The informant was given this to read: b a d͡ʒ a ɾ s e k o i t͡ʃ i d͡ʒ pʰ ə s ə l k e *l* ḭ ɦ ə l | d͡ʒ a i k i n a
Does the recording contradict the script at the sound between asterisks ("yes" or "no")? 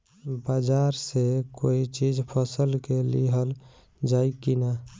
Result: no